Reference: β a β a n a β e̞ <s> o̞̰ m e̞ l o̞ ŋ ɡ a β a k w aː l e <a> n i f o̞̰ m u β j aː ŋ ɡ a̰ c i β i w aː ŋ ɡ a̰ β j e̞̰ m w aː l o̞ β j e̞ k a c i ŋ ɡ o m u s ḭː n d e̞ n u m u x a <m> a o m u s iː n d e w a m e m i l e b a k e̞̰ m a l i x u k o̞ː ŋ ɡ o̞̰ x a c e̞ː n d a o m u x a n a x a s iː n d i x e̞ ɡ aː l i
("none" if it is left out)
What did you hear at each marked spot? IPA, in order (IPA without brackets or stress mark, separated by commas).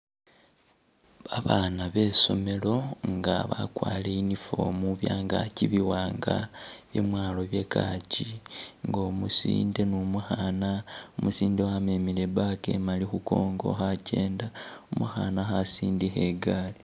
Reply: s, i, n